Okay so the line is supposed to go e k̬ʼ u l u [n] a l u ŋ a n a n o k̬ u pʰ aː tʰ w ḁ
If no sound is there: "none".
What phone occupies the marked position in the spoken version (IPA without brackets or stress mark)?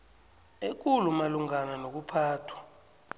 m